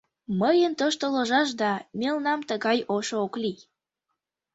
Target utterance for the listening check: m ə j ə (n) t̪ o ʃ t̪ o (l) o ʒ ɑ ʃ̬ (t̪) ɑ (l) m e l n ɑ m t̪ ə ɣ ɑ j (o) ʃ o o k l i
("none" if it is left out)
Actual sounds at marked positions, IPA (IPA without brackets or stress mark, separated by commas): n, l, d̪, none, o